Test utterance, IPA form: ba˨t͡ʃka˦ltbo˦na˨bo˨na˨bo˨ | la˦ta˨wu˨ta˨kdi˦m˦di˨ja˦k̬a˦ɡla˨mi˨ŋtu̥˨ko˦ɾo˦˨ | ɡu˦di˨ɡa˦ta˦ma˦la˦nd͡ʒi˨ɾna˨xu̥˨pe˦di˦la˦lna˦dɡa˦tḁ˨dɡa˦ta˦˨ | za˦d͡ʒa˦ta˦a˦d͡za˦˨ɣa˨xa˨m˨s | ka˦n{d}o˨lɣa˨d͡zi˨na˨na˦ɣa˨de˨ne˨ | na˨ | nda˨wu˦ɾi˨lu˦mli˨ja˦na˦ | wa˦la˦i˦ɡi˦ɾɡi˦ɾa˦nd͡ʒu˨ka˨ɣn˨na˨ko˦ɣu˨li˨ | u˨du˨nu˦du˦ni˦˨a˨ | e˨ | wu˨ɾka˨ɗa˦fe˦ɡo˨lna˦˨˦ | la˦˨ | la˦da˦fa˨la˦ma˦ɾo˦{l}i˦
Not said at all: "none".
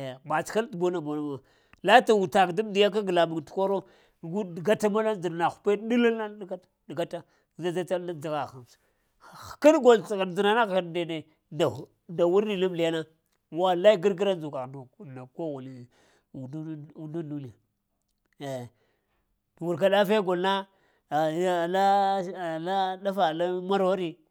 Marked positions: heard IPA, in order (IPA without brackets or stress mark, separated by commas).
ɡ, ɾ